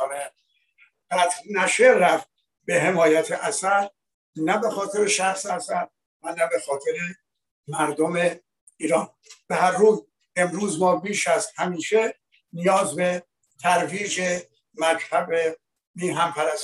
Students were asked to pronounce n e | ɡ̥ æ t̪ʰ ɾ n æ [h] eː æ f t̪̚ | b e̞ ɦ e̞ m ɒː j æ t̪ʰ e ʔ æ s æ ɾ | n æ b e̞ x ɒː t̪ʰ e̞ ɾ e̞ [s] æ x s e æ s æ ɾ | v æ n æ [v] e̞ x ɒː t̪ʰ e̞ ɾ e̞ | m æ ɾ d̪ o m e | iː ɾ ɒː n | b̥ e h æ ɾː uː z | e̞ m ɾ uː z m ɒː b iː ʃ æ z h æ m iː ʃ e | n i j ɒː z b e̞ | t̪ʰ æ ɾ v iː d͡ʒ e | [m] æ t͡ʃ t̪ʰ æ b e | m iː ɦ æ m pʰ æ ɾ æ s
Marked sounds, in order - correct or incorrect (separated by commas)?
incorrect, incorrect, incorrect, correct